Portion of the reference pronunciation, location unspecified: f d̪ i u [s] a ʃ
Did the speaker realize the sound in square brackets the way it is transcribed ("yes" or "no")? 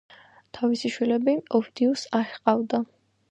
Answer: yes